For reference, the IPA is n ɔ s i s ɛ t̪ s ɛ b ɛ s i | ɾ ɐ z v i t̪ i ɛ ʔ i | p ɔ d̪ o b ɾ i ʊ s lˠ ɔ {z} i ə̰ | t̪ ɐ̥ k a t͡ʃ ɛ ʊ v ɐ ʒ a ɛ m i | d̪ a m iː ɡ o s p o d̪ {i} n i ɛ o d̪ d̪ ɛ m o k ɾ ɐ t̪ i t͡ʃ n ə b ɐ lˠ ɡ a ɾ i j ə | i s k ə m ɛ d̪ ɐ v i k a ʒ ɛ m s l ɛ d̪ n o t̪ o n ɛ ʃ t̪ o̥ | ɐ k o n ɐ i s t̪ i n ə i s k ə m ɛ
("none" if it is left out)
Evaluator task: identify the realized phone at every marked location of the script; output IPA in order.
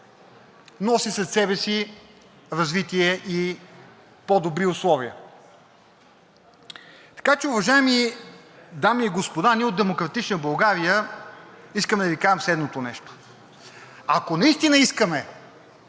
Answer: v, a

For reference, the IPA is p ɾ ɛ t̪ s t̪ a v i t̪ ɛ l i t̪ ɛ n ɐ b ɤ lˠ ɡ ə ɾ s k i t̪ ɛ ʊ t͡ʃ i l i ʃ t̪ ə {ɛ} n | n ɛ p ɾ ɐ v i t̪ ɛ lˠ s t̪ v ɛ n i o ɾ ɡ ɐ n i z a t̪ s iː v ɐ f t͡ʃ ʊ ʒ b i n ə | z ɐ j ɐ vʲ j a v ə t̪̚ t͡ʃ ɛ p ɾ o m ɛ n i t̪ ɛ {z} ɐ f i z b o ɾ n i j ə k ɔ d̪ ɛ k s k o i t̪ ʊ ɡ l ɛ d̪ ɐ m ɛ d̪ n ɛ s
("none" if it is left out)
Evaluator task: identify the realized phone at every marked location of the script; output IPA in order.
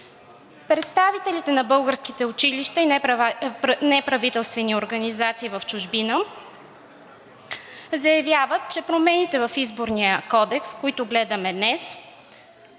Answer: i, v

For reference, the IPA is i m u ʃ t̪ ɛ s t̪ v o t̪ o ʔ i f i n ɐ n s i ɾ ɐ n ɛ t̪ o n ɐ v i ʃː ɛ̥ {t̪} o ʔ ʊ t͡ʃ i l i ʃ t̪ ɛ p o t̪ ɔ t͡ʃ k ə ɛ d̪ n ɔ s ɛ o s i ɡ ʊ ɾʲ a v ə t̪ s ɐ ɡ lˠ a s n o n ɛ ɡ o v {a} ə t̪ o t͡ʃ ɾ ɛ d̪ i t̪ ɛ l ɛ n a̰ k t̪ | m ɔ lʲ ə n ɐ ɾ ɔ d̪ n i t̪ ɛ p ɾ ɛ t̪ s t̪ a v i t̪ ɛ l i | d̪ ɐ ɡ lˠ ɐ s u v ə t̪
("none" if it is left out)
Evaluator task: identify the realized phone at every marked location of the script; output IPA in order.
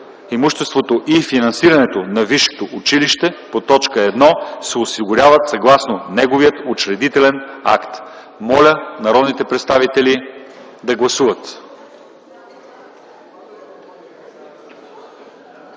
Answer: t̪, i

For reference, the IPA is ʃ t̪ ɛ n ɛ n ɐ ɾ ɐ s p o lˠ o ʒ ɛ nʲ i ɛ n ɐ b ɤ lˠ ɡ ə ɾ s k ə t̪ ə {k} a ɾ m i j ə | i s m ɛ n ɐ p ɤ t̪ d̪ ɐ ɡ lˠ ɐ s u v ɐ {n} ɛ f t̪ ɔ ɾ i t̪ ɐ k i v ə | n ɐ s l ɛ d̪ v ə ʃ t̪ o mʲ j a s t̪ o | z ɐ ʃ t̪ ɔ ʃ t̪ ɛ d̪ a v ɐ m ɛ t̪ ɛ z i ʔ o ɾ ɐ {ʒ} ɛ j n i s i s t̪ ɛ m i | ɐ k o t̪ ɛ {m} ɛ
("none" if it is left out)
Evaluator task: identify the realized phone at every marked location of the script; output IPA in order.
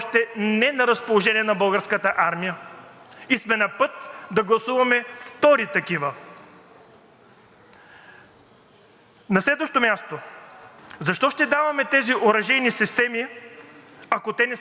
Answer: ʔ, m, ʒ, n

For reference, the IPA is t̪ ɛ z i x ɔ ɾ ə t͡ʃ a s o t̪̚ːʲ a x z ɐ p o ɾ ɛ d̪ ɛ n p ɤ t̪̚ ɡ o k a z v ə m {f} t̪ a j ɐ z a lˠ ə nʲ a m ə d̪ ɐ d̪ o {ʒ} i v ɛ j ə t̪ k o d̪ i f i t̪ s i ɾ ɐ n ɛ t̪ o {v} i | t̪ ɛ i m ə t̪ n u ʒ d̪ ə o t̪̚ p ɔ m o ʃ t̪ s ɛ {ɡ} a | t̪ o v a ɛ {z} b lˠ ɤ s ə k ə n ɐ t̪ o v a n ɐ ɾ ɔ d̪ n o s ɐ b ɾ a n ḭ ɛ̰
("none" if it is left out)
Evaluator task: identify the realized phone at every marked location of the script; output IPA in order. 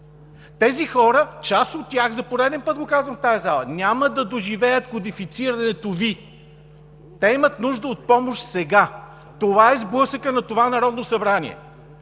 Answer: f, ʒ, v, ɡ, z

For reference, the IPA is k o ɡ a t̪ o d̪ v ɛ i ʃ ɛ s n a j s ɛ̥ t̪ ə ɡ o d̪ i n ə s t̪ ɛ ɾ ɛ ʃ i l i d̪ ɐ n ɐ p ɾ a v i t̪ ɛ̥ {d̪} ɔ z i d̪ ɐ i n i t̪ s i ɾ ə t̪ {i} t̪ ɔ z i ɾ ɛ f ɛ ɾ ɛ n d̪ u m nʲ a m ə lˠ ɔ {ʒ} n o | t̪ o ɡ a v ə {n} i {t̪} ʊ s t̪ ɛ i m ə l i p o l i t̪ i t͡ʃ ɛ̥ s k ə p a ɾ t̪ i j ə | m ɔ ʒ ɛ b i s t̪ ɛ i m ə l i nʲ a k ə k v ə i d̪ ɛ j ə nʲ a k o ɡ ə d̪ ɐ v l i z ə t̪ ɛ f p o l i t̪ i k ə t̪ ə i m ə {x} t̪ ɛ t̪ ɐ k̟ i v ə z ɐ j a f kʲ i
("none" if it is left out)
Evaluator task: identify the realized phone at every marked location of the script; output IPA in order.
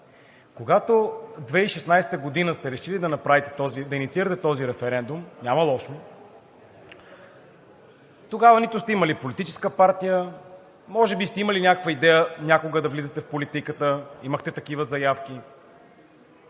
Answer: t̪, ɛ, ʃ, n, t̪, x

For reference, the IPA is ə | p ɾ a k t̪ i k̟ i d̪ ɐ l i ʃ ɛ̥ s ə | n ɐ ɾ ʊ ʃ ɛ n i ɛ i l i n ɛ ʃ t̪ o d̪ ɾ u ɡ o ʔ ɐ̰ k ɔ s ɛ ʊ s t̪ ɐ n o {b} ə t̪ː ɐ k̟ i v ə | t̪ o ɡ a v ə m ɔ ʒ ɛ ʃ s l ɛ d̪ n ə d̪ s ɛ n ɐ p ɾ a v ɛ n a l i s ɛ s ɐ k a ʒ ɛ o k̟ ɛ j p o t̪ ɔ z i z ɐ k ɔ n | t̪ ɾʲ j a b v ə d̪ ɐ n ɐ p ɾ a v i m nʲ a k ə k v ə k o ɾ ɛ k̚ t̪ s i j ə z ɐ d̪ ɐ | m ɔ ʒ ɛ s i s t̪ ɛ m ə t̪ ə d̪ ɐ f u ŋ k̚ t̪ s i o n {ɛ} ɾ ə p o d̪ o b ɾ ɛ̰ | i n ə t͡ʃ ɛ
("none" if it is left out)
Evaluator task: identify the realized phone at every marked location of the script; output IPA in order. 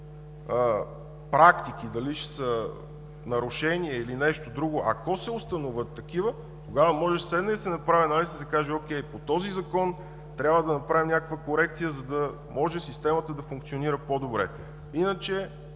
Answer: v, i

